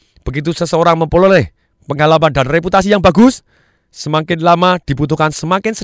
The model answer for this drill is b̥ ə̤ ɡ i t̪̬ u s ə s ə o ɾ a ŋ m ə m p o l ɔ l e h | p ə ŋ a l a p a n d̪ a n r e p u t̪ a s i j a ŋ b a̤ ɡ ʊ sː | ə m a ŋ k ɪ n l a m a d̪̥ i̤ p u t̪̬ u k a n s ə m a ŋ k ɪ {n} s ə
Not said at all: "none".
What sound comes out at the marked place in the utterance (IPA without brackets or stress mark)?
n